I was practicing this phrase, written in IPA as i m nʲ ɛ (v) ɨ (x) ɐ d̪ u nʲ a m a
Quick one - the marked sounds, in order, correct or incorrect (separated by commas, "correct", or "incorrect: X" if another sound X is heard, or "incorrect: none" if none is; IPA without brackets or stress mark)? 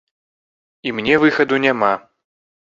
correct, correct